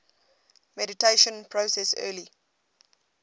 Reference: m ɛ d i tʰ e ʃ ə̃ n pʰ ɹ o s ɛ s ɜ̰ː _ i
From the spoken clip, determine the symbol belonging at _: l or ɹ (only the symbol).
l